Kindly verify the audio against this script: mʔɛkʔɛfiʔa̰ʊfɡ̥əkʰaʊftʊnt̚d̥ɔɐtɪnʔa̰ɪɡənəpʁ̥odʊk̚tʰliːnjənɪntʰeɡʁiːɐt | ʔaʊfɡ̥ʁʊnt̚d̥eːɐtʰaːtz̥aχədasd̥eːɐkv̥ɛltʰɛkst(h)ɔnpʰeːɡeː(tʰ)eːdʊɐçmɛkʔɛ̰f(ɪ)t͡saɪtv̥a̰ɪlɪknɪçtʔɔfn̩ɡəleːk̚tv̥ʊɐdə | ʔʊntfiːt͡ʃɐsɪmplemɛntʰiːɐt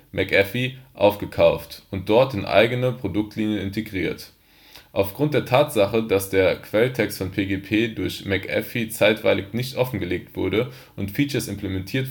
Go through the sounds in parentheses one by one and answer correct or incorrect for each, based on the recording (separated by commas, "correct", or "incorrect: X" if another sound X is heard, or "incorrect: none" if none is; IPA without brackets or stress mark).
incorrect: f, incorrect: pʰ, incorrect: i